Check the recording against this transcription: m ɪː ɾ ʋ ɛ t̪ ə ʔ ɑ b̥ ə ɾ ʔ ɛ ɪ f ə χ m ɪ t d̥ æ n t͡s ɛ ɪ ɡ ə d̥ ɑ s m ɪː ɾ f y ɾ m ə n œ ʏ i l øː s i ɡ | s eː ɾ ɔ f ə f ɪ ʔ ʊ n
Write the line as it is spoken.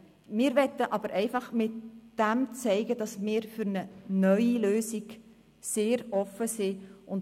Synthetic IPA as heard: m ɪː ɾ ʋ ɛ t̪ ə ʔ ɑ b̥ ə ɾ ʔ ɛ ɪ f ɑ χ m ɪ t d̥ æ m t͡s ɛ ɪ ɡ ə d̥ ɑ s m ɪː ɾ f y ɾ n ə n œ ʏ i l øː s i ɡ | s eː ɾ ɔ f ə s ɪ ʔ ʊ n